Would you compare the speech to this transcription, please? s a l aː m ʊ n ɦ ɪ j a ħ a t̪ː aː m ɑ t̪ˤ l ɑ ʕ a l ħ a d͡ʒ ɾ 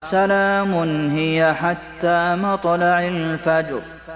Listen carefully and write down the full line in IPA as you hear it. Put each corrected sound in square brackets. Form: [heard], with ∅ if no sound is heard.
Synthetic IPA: s a l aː m ʊ n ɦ ɪ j a ħ a t̪ː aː m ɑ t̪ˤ l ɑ ʕ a l [f] a d͡ʒ ɾ